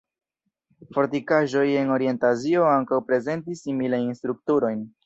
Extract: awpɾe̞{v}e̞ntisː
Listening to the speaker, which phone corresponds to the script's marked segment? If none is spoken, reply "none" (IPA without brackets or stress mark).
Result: z